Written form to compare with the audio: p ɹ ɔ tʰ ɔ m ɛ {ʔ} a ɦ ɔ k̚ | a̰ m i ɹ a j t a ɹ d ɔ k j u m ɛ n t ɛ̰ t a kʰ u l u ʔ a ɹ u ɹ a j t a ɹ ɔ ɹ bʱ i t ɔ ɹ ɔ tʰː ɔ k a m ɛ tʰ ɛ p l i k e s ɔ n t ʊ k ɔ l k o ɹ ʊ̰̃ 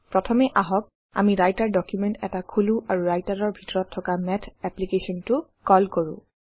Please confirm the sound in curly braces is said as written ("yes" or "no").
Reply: yes